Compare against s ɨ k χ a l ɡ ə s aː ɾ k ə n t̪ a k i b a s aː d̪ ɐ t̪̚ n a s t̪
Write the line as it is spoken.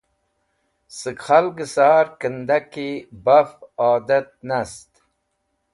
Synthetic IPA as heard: s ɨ k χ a l ɡ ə s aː ɾ k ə n d̪ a k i b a f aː d̪ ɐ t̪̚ n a s t̪

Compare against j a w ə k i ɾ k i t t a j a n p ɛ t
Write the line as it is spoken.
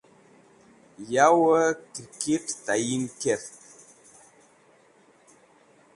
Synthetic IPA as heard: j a w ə k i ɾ k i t t a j i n k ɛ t

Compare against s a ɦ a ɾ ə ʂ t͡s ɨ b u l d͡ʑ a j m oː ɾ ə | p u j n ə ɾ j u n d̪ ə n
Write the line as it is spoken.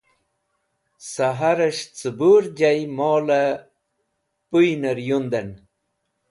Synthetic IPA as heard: s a ɦ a ɾ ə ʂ t͡s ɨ b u ɾ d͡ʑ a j m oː l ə | p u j n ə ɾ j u n d̪ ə n

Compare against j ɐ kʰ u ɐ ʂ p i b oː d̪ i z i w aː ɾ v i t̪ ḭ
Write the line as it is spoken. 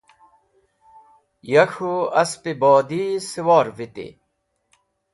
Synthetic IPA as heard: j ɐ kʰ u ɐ s p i b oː d̪ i s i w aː ɾ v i t̪ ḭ

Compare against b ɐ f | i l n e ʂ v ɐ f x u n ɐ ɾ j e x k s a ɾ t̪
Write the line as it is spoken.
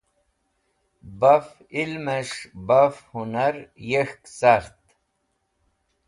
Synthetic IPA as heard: b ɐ f | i l m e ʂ b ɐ f h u n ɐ ɾ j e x k s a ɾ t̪

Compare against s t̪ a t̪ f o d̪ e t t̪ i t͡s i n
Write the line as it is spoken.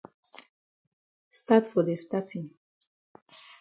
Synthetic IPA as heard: s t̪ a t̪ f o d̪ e s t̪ a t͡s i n

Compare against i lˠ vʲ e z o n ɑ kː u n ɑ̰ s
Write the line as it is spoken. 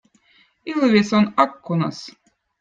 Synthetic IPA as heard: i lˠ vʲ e s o n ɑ kː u n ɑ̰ s

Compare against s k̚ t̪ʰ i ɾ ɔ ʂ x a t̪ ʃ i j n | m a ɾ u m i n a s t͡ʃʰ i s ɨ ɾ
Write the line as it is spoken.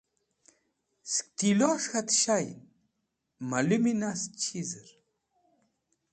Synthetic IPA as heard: s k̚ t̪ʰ i l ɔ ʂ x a t̪ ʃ a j n | m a l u m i n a s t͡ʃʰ i z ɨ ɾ

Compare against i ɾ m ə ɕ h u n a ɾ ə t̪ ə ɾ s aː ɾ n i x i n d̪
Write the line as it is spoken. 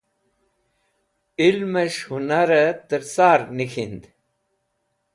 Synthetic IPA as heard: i l m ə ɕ h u n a ɾ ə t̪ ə ɾ s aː ɾ n i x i n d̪

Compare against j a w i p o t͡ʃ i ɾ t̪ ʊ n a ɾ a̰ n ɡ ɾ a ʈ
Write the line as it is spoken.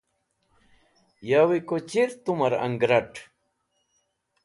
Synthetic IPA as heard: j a w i k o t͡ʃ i ɾ t̪ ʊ m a ɾ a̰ ŋ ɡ ɾ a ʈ

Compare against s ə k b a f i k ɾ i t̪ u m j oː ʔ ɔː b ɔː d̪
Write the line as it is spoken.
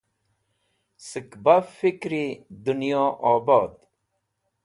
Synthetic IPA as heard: s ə k b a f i k ɾ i d̪ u n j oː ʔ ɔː b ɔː d̪

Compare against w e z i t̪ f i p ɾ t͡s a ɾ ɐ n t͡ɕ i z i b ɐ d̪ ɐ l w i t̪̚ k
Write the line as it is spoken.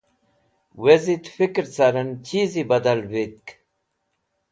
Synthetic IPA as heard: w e z i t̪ f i k ɾ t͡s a ɾ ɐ n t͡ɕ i z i b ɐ d̪ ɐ l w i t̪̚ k

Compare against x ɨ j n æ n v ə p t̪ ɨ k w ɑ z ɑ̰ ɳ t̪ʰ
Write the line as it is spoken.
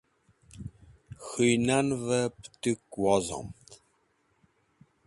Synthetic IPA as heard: x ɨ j n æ n v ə p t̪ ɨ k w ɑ z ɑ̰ m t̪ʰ

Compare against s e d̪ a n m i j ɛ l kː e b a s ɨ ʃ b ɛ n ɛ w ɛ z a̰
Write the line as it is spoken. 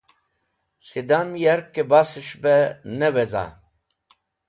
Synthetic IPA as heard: s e d̪ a n m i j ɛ ɾ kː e b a s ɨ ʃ b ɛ n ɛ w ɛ z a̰

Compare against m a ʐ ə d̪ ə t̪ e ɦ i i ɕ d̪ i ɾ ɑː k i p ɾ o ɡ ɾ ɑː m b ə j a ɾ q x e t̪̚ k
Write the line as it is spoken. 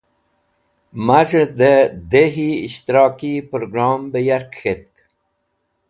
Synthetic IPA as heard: m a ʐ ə d̪ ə d̪ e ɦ i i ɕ t̪ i ɾ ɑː k i p ɾ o ɡ ɾ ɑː m b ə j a ɾ k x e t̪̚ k

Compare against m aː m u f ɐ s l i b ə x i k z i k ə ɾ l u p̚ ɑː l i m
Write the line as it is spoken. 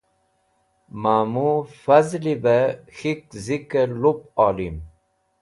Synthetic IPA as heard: m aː m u f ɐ z l i b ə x i k z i k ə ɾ l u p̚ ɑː l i m

